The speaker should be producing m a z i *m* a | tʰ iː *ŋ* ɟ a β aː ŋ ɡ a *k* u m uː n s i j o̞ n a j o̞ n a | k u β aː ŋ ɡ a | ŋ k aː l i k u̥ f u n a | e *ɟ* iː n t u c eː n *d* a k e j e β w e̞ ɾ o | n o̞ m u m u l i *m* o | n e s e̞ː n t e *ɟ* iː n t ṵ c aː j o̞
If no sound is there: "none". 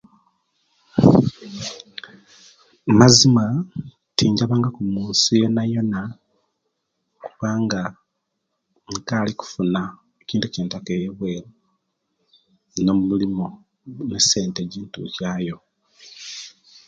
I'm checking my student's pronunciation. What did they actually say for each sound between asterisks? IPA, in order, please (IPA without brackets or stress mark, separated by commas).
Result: m, ɲ, k, c, t, m, ɟ